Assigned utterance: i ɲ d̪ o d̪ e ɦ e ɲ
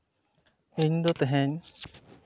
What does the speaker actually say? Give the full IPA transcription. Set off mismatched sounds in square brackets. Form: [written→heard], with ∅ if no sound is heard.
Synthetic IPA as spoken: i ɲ d̪ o [d̪→t̪] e ɦ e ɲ